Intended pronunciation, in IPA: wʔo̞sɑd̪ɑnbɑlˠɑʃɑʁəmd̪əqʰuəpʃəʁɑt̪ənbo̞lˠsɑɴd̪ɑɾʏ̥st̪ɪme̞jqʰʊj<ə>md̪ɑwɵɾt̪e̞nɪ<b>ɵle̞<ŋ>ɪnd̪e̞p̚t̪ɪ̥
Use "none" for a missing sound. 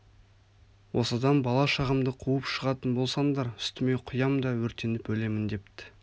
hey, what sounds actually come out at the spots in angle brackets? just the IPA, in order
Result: ɑ, p, m

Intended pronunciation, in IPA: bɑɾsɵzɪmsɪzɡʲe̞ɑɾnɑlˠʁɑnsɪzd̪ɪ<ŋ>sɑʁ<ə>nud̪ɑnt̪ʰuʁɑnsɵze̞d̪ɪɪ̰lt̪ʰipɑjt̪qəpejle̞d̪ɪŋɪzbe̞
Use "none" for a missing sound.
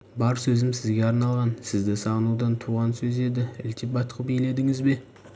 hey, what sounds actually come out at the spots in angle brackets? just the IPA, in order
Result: none, ə

